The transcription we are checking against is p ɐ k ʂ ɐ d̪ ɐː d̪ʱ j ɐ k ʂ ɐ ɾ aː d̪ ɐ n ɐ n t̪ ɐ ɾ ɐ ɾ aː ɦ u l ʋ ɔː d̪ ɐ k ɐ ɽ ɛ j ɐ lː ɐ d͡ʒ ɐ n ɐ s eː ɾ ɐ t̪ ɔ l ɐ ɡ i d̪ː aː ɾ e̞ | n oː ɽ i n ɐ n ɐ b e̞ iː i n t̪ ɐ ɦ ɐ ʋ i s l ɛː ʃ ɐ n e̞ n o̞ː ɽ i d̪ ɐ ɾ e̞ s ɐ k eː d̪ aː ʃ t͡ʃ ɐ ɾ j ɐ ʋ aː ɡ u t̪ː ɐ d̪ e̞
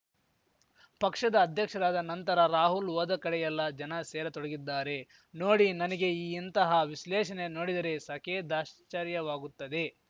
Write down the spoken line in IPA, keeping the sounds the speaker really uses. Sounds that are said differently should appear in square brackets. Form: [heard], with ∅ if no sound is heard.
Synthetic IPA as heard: p ɐ k ʂ ɐ d̪ ɐː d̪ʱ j ɐ k ʂ ɐ ɾ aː d̪ ɐ n ɐ n t̪ ɐ ɾ ɐ ɾ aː ɦ u l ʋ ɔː d̪ ɐ k ɐ ɽ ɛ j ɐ lː ɐ d͡ʒ ɐ n ɐ s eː ɾ ɐ t̪ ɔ [ɽ] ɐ ɡ i d̪ː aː ɾ e̞ | n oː ɽ i n ɐ n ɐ [ɡ] e̞ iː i n t̪ ɐ ɦ ɐ ʋ i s l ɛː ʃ ɐ n e̞ n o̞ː ɽ i d̪ ɐ ɾ e̞ s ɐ k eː d̪ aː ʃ t͡ʃ ɐ ɾ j ɐ ʋ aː ɡ u t̪ː ɐ d̪ e̞